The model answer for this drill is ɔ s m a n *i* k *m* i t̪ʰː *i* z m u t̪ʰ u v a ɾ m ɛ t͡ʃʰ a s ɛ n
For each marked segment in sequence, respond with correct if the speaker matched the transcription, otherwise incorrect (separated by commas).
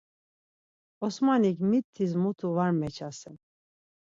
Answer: correct, correct, correct